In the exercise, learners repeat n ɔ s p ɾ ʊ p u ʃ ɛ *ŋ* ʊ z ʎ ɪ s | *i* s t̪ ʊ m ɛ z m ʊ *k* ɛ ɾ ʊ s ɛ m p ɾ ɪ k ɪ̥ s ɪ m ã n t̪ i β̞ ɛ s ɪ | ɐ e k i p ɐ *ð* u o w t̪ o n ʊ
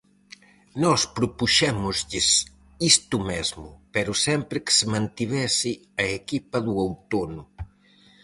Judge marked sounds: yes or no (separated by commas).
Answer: no, yes, no, yes